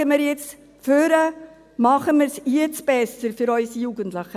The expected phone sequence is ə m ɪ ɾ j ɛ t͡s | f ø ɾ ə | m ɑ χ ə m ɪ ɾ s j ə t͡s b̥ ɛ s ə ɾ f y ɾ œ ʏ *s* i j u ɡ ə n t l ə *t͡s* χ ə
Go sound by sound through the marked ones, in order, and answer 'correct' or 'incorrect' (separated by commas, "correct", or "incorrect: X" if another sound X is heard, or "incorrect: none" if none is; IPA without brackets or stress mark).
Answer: correct, incorrect: none